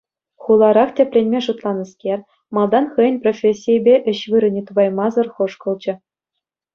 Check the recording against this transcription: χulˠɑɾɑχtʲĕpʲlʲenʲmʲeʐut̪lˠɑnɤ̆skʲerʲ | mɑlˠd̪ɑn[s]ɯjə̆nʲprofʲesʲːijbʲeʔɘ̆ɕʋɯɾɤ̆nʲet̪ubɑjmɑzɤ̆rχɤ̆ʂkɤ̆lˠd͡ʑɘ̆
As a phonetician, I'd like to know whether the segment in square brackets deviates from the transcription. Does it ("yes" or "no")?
yes